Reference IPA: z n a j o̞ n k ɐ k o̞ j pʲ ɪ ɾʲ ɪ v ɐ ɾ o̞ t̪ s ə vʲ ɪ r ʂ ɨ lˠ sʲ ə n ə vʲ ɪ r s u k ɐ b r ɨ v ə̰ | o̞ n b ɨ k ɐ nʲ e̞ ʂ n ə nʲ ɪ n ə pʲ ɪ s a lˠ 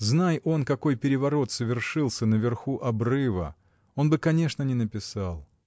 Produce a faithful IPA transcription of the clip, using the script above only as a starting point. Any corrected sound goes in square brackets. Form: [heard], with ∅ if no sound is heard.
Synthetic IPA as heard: z n a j o̞ n k ɐ k o̞ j pʲ ɪ ɾʲ ɪ v ɐ ɾ o̞ t̪ s ə vʲ ɪ r ʂ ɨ lˠ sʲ ə n ə vʲ ɪ r [x] u [ʔ] ɐ b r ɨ v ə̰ | o̞ n b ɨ k ɐ nʲ e̞ ʂ n ə nʲ ɪ n ə pʲ ɪ s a lˠ